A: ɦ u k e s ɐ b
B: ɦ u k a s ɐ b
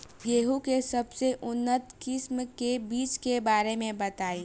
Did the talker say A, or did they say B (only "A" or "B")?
A